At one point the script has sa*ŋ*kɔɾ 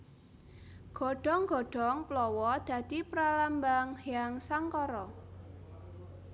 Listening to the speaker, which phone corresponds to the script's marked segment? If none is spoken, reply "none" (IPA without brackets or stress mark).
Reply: ŋ